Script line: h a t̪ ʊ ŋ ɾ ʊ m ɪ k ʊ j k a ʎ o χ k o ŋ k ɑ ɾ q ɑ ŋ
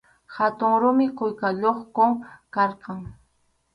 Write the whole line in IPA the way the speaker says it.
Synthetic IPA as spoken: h a t̪ ʊ ŋ ɾ ʊ m ɪ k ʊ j k a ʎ o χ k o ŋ k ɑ ɾ q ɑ ŋ